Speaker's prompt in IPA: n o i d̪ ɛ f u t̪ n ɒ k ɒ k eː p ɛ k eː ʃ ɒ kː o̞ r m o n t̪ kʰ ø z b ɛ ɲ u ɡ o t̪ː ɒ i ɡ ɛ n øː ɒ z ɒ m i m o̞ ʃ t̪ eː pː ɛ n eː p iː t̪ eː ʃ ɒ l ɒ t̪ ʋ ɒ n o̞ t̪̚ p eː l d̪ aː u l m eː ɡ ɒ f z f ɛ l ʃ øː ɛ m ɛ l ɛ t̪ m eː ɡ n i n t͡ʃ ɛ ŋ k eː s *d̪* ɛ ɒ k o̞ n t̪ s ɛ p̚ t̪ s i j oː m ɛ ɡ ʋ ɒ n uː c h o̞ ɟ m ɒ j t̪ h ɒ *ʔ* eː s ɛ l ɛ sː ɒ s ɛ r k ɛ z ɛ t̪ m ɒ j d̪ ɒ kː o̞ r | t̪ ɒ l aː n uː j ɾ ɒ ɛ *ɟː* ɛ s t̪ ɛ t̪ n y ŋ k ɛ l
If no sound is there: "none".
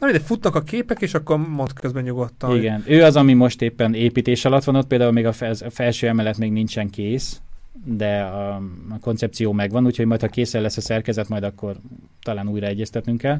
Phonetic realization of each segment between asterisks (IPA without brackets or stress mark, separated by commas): d̪, k, ɟː